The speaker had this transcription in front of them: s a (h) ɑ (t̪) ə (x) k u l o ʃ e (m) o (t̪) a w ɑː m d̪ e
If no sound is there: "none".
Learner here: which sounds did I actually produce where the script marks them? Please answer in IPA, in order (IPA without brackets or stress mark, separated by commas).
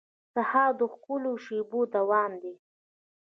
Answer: h, d̪, x, b, d̪